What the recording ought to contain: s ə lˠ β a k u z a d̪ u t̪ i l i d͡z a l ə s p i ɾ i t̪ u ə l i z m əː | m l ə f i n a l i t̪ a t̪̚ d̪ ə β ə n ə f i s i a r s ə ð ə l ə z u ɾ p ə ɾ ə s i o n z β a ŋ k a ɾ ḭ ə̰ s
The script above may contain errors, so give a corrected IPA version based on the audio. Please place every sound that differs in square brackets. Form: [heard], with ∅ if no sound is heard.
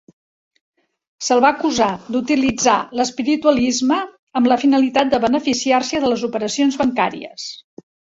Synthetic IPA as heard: s ə lˠ β a k u z a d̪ u t̪ i l i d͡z a l ə s p i ɾ i t̪ u ə l i z m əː | m l ə f i n [ə] l i t̪ a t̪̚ d̪ ə β ə n ə f i s i a r s ə ð ə l ə z u [∅] p ə ɾ ə s i o n z β [ə] ŋ k a ɾ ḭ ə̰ s